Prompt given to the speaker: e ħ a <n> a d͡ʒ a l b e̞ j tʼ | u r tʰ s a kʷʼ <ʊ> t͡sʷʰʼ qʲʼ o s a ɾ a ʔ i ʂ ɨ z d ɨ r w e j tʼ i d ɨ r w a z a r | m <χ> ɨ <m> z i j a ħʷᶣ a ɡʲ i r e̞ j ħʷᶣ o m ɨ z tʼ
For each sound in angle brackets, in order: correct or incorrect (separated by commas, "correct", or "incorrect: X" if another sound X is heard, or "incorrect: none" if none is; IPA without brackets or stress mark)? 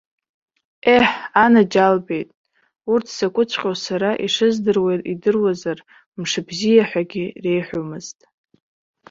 correct, correct, incorrect: ʂ, incorrect: b